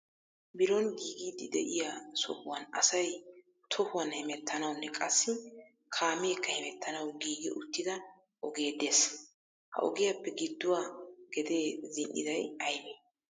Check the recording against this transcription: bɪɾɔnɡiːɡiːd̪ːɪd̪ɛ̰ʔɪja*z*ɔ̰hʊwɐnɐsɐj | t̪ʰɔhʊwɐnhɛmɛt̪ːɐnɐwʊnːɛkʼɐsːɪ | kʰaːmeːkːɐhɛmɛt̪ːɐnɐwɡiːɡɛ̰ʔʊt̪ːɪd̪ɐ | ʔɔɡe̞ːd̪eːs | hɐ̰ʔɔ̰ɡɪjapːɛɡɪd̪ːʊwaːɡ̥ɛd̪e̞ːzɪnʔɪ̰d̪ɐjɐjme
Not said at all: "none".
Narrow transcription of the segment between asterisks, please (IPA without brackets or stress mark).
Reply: s